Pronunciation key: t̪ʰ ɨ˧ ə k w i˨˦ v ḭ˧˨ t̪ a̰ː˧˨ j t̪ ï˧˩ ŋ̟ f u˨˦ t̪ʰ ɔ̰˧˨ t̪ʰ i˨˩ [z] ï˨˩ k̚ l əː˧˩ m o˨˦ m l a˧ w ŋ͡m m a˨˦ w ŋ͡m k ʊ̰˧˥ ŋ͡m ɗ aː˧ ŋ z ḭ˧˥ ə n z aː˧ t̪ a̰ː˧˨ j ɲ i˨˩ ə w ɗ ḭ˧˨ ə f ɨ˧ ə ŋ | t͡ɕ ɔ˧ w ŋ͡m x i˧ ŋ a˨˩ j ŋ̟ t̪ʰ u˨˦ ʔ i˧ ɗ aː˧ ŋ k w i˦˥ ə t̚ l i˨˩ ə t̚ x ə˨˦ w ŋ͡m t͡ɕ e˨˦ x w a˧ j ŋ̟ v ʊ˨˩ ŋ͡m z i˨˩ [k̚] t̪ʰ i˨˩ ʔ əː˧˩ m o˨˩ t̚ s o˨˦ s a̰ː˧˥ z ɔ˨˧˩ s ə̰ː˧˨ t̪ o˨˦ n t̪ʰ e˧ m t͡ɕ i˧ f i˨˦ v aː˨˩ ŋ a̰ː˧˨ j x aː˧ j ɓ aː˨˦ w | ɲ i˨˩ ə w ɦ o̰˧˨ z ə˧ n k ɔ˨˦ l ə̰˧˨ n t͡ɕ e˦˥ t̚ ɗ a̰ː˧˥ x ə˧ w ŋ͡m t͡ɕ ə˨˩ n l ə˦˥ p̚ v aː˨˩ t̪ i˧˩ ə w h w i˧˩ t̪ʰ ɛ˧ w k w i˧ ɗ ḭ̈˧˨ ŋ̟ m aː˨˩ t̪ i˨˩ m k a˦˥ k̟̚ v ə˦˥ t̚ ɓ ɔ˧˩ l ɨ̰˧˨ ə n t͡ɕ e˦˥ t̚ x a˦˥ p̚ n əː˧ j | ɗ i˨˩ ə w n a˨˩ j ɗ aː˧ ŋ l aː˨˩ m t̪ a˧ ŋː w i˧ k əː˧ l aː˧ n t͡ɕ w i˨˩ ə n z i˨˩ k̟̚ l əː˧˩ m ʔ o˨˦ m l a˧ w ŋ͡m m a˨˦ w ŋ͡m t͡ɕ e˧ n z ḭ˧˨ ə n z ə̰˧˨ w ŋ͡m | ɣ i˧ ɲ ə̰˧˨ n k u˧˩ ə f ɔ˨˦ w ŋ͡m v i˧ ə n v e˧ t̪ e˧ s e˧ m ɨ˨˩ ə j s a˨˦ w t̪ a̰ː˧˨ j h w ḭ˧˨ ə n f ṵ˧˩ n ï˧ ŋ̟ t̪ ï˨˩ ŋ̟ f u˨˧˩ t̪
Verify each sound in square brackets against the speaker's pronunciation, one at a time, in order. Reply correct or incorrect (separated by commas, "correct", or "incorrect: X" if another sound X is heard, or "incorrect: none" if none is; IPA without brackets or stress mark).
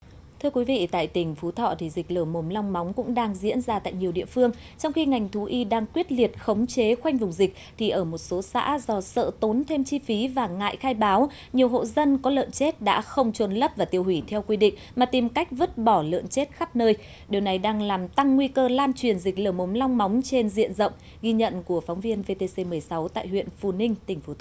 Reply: correct, correct